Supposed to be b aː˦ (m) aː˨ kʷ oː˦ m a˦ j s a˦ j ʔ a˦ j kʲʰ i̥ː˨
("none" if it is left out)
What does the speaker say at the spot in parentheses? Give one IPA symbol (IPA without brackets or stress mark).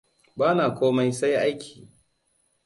n